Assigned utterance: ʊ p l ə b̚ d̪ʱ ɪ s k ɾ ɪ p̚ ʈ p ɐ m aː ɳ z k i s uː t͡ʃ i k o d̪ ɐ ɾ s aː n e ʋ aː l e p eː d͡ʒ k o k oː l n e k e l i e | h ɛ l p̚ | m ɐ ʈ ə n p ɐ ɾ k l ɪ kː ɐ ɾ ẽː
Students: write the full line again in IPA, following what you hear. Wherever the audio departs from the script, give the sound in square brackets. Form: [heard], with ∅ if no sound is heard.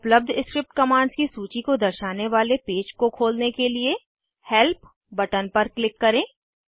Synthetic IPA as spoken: ʊ p l ə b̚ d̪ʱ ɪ s k ɾ ɪ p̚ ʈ [k] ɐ m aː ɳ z k i s uː t͡ʃ i k o d̪ ɐ ɾ [ʃ] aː n e ʋ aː l e p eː d͡ʒ k o [kʰ] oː l n e k e l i e | h ɛ l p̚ | [b] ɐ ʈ ə n p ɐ ɾ k l ɪ kː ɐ ɾ ẽː